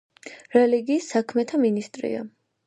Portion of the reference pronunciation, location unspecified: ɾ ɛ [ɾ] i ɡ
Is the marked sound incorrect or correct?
incorrect